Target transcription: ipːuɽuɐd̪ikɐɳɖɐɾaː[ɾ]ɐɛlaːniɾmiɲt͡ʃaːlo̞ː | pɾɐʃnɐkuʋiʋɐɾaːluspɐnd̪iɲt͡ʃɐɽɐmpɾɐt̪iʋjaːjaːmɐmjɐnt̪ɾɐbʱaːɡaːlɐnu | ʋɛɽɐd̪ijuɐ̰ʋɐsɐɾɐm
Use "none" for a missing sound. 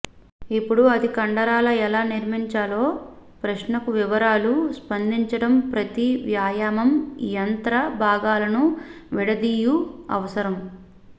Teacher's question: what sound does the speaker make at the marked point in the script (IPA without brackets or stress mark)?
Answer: l